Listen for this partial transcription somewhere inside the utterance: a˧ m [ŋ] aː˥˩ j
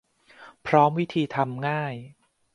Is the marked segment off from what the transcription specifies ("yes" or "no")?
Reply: no